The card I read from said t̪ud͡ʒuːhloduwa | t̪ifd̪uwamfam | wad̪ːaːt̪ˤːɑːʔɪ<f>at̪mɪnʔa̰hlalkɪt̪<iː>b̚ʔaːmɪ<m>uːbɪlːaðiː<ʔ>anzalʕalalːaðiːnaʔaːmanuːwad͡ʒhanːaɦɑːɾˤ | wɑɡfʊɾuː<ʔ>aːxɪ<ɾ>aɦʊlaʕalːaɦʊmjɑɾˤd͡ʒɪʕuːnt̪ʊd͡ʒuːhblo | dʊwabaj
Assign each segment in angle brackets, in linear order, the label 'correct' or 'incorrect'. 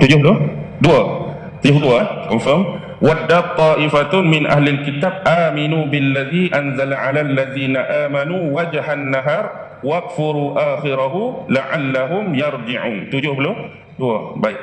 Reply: correct, incorrect: aː, incorrect: n, correct, correct, correct

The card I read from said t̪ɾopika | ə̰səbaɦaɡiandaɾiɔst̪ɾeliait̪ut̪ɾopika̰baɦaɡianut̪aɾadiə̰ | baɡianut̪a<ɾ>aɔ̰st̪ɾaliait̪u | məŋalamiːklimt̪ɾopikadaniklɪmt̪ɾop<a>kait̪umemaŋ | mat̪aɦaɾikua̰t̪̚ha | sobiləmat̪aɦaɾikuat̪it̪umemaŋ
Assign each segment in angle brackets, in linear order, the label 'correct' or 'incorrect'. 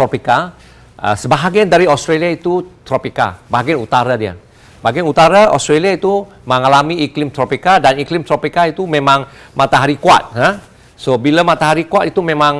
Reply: correct, incorrect: i

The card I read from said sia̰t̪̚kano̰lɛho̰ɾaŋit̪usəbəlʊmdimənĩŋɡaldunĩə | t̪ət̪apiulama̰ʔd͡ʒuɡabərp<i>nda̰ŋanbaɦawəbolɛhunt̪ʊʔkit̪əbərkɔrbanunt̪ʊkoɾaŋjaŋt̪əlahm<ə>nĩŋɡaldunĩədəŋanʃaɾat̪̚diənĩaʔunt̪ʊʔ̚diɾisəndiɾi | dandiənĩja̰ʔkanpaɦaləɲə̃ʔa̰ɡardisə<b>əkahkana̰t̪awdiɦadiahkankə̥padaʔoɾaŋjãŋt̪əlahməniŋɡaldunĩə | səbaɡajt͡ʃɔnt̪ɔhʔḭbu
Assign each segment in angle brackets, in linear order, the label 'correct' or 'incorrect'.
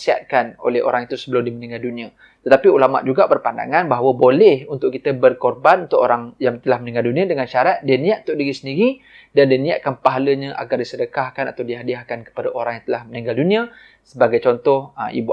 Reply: incorrect: a, correct, incorrect: d

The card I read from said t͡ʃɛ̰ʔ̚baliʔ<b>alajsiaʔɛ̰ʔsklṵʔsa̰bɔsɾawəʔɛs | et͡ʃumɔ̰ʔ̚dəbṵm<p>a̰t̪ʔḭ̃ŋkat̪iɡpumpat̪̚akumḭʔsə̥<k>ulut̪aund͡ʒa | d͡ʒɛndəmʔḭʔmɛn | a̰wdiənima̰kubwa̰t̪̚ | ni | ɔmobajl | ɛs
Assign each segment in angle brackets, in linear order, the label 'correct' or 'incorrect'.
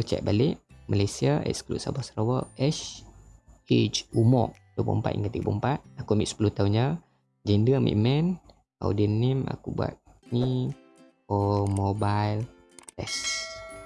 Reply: incorrect: m, correct, incorrect: p

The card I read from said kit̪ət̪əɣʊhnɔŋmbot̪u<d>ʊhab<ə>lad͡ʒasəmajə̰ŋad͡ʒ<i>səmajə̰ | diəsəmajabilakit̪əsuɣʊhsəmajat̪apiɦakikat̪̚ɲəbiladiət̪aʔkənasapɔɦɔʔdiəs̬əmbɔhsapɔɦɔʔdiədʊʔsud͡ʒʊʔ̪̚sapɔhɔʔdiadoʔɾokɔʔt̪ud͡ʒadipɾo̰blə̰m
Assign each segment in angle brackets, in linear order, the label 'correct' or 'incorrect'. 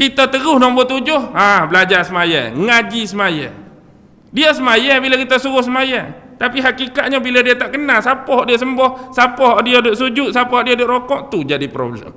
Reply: incorrect: d͡ʒ, correct, correct

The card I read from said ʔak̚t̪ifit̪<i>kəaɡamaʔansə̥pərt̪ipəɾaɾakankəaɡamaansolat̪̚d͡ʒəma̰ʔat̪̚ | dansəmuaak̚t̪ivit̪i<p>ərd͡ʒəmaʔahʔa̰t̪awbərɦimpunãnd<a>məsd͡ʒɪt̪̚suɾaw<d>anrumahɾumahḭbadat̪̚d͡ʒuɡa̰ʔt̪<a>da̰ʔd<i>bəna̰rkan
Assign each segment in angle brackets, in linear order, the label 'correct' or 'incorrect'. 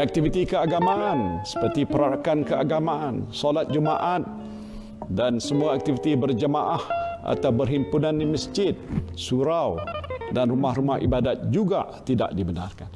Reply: correct, incorrect: b, incorrect: i, correct, incorrect: i, correct

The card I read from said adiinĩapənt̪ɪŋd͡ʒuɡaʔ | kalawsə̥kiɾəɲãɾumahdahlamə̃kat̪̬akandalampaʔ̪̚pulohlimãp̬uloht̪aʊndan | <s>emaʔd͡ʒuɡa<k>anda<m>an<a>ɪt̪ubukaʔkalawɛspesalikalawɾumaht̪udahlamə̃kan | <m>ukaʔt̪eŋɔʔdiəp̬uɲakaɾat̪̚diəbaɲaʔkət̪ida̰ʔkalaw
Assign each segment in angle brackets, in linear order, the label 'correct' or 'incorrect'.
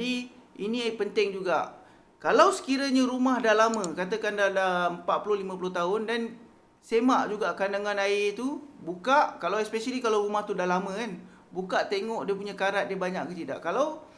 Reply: correct, correct, incorrect: ŋ, correct, incorrect: b

